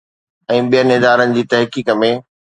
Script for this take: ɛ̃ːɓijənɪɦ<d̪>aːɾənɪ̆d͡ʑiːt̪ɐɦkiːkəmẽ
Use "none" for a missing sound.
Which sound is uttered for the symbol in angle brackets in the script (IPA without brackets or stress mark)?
d̪